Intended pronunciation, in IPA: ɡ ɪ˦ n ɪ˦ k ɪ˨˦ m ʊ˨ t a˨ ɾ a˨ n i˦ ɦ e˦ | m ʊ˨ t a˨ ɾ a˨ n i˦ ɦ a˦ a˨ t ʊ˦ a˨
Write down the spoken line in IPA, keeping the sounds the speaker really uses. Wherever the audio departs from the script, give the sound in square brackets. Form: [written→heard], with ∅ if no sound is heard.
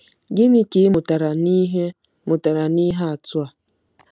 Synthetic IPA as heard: ɡ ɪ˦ n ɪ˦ k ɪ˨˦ m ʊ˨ t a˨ ɾ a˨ n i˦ ɦ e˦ | m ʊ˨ t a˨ ɾ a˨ n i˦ ɦ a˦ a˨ t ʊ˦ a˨